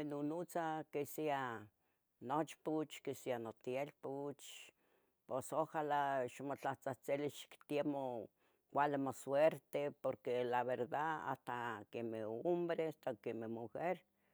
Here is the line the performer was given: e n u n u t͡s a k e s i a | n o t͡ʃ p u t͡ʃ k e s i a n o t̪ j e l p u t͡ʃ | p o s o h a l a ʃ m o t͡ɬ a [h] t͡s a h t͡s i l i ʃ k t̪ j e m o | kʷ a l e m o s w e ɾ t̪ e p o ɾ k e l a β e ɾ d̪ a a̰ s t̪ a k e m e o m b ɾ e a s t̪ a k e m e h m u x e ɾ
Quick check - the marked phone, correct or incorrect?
correct